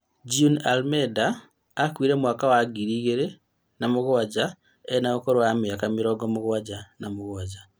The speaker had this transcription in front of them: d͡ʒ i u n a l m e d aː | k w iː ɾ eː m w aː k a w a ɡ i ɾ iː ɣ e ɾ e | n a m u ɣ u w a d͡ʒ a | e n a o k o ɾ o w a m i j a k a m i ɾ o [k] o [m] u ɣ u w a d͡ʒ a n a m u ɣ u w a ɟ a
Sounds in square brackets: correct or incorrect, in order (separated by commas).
incorrect, correct